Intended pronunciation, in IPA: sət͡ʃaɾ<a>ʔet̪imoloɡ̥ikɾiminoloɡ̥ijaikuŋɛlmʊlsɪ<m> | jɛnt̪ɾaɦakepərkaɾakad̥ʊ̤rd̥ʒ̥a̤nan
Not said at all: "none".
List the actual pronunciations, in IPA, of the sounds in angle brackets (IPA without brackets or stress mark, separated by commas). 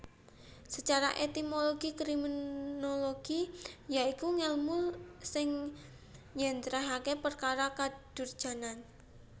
a, ŋ